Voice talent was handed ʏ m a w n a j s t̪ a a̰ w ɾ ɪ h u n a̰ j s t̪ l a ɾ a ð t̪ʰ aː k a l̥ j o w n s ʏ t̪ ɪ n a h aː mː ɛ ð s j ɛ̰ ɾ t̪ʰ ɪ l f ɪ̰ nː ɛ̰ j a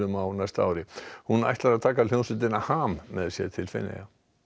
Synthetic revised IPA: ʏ m a w n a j s t̪ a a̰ w ɾ ɪ h u n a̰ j h t̪ l a ɾ a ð t̪ʰ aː k a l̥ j o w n s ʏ t̪ ɪ n a h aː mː ɛ ð s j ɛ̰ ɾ t̪ʰ ɪ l f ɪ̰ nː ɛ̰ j a